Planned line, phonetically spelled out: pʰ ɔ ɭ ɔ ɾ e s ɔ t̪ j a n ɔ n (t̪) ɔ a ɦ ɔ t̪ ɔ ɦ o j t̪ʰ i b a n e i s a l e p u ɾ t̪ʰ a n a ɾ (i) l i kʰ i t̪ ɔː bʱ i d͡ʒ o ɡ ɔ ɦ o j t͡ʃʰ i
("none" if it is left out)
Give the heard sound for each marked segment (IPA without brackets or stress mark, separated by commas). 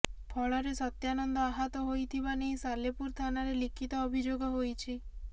d̪, e